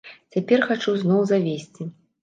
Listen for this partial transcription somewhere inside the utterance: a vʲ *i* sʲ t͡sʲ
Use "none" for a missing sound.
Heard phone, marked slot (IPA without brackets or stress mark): e